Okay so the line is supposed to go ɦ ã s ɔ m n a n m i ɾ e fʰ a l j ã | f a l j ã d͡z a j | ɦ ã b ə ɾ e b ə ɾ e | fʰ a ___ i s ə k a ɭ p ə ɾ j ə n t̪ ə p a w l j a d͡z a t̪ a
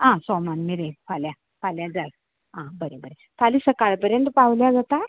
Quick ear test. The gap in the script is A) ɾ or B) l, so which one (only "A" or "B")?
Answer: B